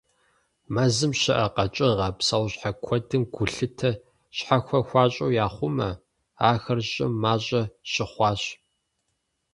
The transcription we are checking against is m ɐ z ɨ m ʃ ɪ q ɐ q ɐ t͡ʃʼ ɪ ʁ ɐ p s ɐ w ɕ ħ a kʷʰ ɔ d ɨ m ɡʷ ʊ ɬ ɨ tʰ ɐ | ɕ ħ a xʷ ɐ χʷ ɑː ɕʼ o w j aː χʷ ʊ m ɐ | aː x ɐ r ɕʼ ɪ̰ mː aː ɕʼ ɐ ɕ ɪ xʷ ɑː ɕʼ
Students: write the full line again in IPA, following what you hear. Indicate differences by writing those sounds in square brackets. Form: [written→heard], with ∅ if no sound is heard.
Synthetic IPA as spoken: m ɐ z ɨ m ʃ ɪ [q→ʔ] ɐ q ɐ t͡ʃʼ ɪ ʁ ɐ p s ɐ w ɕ ħ a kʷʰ ɔ d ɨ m ɡʷ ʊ ɬ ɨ tʰ ɐ | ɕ ħ a xʷ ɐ [χʷ→xʷ] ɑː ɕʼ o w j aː χʷ ʊ m ɐ | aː x ɐ r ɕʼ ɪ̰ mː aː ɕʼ ɐ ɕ ɪ [xʷ→χʷ] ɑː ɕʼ